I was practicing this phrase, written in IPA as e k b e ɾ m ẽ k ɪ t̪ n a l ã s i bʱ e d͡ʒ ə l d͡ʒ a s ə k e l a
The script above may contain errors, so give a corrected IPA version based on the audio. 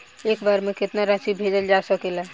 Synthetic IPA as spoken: e k b a ɾ m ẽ k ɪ t̪ n a ɾ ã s i bʱ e d͡ʒ ə l d͡ʒ a s ə k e l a